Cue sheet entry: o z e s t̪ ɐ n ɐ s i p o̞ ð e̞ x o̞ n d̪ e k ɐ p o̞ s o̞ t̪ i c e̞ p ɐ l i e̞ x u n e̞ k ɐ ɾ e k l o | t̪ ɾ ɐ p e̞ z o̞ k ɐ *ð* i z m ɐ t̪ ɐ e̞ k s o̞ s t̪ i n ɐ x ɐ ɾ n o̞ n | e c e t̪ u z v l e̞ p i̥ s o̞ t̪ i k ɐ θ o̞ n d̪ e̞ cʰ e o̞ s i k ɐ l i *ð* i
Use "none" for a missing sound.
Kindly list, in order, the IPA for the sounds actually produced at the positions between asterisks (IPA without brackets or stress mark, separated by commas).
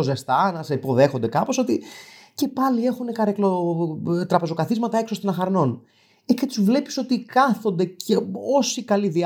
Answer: θ, ð